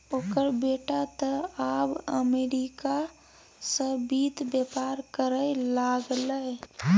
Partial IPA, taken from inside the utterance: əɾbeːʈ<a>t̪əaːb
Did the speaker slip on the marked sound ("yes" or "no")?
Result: no